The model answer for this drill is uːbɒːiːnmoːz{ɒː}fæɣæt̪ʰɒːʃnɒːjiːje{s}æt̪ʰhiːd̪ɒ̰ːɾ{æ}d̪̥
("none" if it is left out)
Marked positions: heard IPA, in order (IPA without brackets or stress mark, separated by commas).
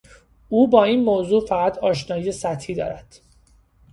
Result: uː, s, æ